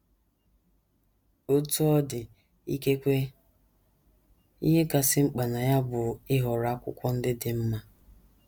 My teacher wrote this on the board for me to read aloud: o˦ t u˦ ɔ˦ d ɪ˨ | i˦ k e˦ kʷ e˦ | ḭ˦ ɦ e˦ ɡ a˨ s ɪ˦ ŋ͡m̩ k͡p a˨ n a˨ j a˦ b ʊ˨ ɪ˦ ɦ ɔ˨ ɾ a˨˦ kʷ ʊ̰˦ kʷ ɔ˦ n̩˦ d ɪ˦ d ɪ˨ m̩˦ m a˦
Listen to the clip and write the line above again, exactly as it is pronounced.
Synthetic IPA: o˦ t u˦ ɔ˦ d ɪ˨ | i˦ k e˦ kʷ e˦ | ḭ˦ ɦ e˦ k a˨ s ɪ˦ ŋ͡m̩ k͡p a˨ n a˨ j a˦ b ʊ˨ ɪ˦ ɦ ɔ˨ ɾ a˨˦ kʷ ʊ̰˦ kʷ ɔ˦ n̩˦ d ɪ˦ d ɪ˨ m̩˦ m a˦